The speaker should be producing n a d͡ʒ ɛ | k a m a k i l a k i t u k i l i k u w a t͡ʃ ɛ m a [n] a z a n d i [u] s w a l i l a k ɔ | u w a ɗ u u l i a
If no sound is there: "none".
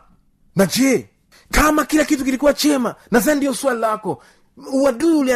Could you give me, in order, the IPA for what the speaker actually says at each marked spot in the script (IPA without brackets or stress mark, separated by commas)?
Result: n, ɔ